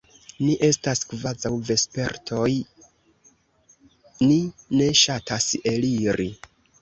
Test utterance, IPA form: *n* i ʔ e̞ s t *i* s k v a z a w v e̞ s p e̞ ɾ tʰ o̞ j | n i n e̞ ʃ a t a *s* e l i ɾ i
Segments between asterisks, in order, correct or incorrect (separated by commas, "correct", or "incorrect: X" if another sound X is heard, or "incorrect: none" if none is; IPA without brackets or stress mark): correct, incorrect: a, correct